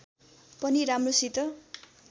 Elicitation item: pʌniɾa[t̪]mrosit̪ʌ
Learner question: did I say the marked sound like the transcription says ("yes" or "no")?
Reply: no